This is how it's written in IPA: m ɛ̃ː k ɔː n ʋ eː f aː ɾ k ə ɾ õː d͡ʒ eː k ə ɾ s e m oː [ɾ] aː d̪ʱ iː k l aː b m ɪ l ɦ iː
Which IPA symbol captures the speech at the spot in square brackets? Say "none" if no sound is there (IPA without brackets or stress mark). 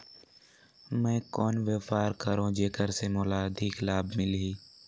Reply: l